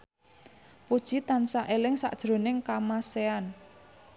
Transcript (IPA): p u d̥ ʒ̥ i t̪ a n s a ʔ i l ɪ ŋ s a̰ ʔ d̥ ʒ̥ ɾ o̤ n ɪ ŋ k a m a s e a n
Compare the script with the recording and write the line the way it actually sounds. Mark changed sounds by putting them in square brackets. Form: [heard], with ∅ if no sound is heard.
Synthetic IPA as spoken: p u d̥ ʒ̥ i t̪ a n s a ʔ [e] l ɪ ŋ s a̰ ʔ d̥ ʒ̥ ɾ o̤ n ɪ ŋ k a m a s e a n